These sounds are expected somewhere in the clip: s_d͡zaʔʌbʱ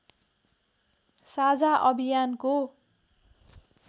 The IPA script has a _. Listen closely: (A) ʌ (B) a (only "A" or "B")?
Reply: B